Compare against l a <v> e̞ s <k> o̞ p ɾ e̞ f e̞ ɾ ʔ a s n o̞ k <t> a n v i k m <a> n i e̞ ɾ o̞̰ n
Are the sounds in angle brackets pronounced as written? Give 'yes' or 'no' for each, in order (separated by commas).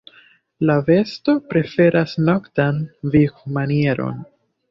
yes, no, yes, yes